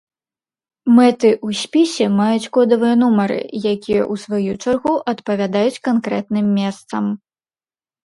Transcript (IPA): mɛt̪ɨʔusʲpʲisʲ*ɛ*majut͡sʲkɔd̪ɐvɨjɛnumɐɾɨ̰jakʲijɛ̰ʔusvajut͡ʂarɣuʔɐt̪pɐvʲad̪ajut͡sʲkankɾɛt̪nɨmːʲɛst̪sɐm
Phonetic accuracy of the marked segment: correct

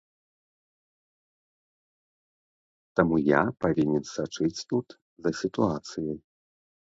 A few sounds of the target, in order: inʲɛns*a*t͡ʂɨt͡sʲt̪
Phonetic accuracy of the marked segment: correct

